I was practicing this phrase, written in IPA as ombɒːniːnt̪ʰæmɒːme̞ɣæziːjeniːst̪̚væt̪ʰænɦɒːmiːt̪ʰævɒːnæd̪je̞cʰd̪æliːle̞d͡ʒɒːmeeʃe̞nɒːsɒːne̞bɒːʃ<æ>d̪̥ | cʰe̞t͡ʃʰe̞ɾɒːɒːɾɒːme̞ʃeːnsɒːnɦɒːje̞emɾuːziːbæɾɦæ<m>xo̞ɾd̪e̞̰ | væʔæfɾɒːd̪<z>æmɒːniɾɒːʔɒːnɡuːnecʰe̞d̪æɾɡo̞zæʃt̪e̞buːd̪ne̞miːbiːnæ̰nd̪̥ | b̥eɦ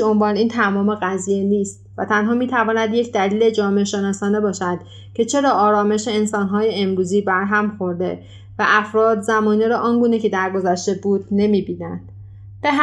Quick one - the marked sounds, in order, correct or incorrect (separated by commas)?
correct, correct, correct